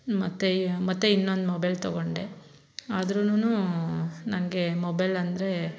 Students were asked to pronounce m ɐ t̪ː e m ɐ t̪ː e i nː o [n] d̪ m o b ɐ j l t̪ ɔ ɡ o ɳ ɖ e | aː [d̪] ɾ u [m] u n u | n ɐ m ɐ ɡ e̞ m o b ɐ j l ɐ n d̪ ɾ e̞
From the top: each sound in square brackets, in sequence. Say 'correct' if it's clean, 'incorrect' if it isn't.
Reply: correct, correct, incorrect

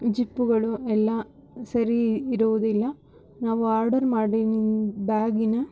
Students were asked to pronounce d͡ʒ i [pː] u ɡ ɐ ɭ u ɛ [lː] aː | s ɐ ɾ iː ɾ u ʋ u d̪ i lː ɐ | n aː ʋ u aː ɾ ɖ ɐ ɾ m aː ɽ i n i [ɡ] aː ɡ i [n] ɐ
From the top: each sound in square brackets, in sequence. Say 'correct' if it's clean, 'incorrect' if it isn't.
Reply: correct, correct, incorrect, correct

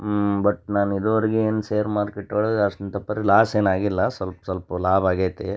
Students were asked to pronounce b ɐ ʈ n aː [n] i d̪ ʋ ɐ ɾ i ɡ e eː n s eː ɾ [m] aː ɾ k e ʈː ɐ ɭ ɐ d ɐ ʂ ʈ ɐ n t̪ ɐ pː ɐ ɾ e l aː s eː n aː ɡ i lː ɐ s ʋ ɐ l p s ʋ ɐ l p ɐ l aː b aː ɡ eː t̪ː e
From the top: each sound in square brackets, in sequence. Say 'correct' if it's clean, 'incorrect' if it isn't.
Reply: correct, correct

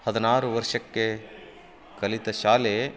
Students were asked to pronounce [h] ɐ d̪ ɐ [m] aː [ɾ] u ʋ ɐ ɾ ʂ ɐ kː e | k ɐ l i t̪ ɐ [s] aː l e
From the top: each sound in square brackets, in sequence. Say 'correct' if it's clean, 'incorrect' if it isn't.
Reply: correct, incorrect, correct, incorrect

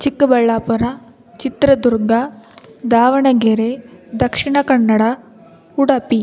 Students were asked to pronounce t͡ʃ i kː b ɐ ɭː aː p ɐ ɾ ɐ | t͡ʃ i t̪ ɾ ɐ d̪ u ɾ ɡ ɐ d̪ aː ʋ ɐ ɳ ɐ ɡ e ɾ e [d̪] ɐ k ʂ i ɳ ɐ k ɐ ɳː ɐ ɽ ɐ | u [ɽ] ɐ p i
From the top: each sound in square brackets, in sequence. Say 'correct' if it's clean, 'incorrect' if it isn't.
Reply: correct, correct

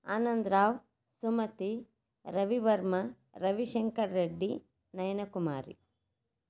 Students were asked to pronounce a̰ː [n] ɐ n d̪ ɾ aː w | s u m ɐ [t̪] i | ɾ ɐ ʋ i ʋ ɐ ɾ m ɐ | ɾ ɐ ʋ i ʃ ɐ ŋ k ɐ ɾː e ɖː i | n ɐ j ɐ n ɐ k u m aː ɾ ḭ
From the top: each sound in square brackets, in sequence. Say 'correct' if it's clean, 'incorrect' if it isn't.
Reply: correct, correct

